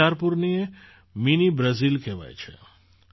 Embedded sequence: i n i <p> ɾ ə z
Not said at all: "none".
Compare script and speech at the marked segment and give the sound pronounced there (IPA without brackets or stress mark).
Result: b